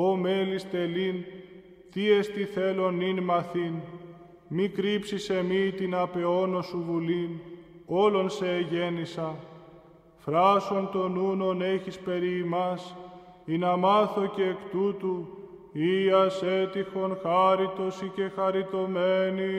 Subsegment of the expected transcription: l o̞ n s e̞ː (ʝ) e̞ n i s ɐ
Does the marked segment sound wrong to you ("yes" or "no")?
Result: no